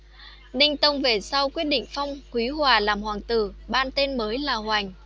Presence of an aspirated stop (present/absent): absent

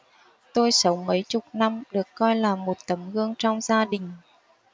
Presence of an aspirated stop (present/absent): absent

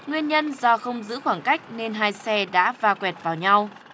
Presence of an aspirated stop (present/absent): absent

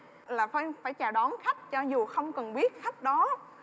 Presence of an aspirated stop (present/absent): absent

